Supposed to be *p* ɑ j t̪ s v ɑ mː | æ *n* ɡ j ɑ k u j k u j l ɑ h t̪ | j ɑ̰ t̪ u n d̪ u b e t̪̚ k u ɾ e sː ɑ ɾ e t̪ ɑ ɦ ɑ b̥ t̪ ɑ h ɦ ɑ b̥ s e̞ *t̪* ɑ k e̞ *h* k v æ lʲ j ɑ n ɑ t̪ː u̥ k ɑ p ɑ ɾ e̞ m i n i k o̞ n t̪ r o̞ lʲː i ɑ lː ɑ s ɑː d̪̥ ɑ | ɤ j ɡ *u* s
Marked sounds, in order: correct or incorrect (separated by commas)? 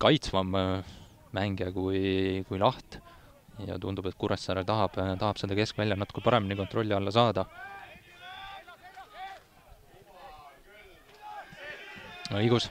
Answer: incorrect, incorrect, incorrect, incorrect, correct